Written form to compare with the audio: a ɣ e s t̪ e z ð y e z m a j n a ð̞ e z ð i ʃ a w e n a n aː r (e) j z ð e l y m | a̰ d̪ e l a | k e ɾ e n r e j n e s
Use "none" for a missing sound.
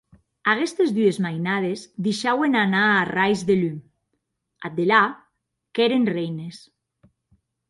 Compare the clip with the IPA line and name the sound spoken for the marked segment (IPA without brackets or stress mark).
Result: a